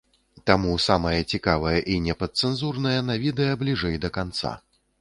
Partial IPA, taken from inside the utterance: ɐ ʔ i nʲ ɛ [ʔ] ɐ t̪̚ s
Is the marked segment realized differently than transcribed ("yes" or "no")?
yes